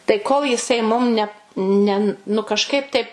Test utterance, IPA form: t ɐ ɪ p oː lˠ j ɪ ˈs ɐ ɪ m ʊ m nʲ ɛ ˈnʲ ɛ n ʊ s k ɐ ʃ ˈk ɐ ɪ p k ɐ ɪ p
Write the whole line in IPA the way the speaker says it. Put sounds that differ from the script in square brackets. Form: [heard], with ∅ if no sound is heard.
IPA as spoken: t ɐ ɪ [k] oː lˠ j ɪ ˈs ɐ ɪ m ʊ m nʲ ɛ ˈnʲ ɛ n ʊ [∅] k ɐ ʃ ˈk ɐ ɪ p [t] ɐ ɪ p

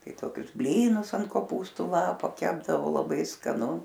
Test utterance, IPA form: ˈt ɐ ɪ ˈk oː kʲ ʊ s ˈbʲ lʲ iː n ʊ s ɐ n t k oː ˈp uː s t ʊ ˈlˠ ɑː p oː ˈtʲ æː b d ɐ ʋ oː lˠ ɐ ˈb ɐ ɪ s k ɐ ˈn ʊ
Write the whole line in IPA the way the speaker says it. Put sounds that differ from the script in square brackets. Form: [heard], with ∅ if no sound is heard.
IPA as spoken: ˈt ɐ ɪ [ˈt] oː kʲ ʊ s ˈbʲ lʲ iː n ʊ s ɐ n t k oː ˈp uː s t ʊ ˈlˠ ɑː p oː [ˈkʲ] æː b d ɐ ʋ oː lˠ ɐ ˈb ɐ ɪ s k ɐ ˈn ʊ

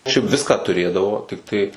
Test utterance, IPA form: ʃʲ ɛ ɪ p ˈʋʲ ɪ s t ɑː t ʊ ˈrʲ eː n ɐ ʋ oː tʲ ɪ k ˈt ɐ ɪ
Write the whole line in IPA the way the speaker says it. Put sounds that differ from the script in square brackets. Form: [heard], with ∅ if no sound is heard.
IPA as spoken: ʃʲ ɛ ɪ p ˈʋʲ ɪ s [k] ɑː t ʊ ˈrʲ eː [d] ɐ ʋ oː tʲ ɪ k ˈt ɐ ɪ

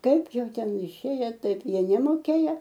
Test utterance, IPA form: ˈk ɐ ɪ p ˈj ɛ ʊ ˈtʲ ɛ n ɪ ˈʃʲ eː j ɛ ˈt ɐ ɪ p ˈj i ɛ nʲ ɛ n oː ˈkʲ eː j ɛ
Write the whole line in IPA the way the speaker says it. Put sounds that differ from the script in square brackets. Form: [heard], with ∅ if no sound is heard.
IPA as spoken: ˈk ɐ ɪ p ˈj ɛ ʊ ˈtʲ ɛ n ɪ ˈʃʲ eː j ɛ ˈt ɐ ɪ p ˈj i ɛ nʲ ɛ [m] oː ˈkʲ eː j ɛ

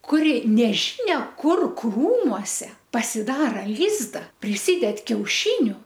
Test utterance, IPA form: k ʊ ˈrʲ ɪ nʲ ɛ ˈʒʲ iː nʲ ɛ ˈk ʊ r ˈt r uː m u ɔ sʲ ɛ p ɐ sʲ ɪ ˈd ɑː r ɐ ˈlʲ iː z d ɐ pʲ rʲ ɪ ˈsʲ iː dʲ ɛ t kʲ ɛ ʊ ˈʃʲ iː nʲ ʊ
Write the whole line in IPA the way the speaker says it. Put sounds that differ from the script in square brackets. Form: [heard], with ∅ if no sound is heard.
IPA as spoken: k ʊ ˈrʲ ɪ nʲ ɛ ˈʒʲ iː nʲ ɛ ˈk ʊ r [ˈk] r uː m u ɔ sʲ ɛ p ɐ sʲ ɪ ˈd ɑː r ɐ ˈlʲ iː z d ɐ pʲ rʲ ɪ ˈsʲ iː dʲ ɛ t kʲ ɛ ʊ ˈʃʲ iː nʲ ʊ

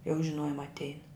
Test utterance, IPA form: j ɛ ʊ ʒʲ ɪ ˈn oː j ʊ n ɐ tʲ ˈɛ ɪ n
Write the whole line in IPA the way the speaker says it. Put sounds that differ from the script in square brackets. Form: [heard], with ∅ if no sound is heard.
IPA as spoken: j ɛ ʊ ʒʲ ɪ ˈn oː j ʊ [m] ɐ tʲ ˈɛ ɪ n

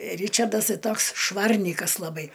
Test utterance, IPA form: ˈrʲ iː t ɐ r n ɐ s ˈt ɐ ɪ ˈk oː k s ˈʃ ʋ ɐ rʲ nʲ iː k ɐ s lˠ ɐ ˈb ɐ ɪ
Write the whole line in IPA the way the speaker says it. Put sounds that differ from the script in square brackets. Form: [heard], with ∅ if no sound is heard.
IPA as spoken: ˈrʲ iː [t͡ʃ] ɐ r [d] ɐ s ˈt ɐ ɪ [ˈt] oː k s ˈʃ ʋ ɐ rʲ nʲ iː k ɐ s lˠ ɐ ˈb ɐ ɪ

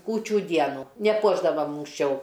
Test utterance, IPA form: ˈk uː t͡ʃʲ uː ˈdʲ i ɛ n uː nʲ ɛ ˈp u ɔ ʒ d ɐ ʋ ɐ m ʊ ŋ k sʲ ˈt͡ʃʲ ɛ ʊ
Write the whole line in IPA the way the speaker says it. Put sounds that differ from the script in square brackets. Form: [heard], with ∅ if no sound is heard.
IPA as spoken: ˈk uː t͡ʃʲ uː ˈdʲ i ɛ n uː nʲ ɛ ˈp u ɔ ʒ d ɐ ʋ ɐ m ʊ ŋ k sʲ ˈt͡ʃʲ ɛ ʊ

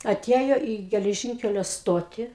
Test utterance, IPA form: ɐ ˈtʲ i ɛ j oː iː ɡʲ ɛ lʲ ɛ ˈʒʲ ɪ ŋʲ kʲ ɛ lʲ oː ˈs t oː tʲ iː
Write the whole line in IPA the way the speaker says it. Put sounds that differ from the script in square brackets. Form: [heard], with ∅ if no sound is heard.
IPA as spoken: ɐ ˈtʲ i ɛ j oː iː ɡʲ ɛ lʲ ɛ ˈʒʲ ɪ ŋʲ kʲ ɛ lʲ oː ˈs t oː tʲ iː

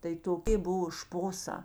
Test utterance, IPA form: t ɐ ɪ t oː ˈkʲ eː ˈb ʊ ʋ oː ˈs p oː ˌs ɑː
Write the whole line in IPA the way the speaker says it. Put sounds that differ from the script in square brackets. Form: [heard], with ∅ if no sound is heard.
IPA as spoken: t ɐ ɪ t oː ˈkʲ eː ˈb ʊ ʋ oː [ˈʃ] p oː ˌs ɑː

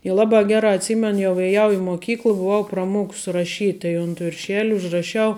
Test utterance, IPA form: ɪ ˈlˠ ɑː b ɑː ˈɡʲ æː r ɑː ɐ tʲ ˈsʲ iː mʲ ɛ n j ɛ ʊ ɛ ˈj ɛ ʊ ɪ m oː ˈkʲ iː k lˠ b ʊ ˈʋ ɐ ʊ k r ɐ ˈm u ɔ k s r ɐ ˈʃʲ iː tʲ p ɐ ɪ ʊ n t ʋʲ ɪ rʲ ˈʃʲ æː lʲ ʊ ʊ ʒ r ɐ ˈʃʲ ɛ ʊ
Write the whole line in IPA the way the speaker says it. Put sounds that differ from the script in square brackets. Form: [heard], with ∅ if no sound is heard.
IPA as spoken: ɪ ˈlˠ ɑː b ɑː ˈɡʲ æː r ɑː ɐ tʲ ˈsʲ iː mʲ ɛ n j ɛ ʊ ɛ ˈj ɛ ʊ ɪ m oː ˈkʲ iː k lˠ b ʊ ˈʋ ɐ ʊ [p] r ɐ ˈm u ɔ k s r ɐ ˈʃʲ iː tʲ [t] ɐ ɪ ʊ n t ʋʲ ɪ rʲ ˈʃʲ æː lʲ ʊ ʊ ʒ r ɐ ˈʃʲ ɛ ʊ

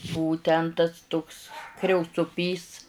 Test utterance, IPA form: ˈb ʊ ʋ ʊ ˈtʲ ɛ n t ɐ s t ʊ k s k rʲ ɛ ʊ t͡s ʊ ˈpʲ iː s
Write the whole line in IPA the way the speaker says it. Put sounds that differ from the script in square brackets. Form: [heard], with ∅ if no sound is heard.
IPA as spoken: ˈb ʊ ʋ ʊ ˈtʲ ɛ n t ɐ s t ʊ k s k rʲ ɛ ʊ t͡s ʊ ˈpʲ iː s

